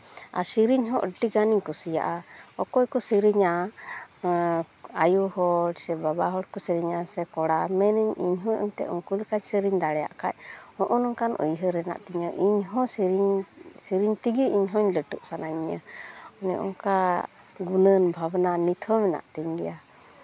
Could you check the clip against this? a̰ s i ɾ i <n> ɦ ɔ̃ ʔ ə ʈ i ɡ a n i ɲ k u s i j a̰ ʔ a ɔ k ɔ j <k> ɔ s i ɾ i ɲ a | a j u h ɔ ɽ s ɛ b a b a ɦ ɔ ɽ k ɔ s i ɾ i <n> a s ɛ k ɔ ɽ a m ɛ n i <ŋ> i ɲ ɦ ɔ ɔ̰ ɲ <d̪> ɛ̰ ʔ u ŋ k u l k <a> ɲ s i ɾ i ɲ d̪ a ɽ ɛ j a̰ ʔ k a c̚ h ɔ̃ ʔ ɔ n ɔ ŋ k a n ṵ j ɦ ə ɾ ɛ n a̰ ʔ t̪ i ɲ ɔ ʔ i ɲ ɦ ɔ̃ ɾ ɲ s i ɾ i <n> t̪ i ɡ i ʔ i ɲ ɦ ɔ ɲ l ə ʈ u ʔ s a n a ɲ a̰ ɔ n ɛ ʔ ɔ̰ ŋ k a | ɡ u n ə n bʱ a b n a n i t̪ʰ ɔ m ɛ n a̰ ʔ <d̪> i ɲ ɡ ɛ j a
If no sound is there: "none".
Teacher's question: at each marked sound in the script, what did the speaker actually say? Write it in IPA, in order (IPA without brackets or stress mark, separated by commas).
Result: ɲ, k, ɲ, ɲ, t̪, a, ɲ, t̪